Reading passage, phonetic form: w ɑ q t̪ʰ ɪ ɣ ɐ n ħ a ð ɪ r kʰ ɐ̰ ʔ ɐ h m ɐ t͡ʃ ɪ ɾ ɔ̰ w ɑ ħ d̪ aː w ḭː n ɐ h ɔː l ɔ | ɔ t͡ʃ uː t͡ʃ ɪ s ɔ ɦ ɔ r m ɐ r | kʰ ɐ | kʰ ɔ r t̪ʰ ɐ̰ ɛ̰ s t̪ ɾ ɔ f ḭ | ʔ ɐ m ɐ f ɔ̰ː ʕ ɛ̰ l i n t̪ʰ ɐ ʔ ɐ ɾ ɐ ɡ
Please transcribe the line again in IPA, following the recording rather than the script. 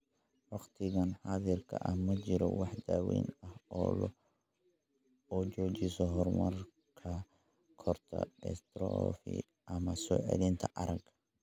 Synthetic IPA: w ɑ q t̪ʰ ɪ ɣ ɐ n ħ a ð ɪ r kʰ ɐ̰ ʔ ɐ h m ɐ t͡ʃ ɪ ɾ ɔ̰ w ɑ ħ d̪ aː w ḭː n ɐ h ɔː l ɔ | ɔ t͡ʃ ɔː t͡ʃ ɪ s ɔ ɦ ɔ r m ɐ r | kʰ ɐ | kʰ ɔ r t̪ʰ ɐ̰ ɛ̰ s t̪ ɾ ɔ f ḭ | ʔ ɐ m ɐ s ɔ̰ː ʕ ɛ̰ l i n t̪ʰ ɐ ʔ ɐ ɾ ɐ ɡ

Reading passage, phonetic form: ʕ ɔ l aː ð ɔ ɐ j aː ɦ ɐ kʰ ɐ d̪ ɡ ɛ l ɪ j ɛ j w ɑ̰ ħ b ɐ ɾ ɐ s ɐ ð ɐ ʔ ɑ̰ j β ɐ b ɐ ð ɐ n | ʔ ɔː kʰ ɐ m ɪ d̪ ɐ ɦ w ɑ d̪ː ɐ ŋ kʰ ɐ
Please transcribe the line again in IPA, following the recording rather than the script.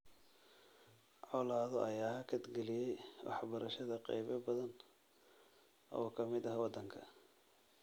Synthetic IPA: ʕ ɔ l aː ð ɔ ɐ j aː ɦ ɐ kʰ ɐ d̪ ɡ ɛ l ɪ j ɛ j w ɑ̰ ħ b ɐ ɾ ɐ ʃ ɐ ð ɐ q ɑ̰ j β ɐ b ɐ ð ɐ n | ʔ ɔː kʰ ɐ m ɪ d̪ ɐ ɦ w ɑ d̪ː ɐ ŋ kʰ ɐ

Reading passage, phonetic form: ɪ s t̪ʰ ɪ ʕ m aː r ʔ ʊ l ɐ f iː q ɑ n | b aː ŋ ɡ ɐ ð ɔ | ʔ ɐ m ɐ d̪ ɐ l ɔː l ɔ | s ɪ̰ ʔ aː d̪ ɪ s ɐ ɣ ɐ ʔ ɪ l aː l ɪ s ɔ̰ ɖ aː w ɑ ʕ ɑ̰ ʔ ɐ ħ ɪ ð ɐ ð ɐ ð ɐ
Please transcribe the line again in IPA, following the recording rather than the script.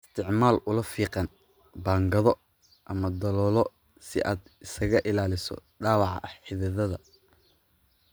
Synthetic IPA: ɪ s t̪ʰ ɪ ʕ m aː l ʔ ʊ l ɐ f iː q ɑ n | b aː ŋ ɡ ɐ ð ɔ | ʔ ɐ m ɐ d̪ ɐ l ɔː l ɔ | s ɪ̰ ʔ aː d̪ ɪ s ɐ ɣ ɐ ʔ ɪ l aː l ɪ s ɔ̰ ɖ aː w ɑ ʕ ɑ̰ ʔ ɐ ħ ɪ ð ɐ ð ɐ ð ɐ

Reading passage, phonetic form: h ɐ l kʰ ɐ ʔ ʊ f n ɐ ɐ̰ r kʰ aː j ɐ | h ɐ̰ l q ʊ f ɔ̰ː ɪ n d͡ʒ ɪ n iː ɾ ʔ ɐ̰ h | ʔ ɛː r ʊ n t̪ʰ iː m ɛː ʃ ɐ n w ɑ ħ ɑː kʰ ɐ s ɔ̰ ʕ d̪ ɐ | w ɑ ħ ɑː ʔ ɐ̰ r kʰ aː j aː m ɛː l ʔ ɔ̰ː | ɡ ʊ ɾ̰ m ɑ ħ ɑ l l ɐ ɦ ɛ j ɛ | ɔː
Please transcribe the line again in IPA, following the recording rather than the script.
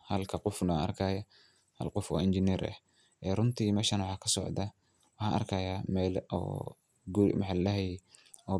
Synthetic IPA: h ɐ l kʰ ɐ q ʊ f n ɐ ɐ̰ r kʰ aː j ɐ | h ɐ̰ l q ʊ f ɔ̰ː ɪ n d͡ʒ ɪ n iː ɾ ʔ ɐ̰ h | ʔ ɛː r ʊ n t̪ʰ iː m ɛː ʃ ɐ n w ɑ ħ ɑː kʰ ɐ s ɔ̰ ʕ d̪ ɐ | w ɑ ħ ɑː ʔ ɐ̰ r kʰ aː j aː m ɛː l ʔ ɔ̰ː | ɡ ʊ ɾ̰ m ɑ ħ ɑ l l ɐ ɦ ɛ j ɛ | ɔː

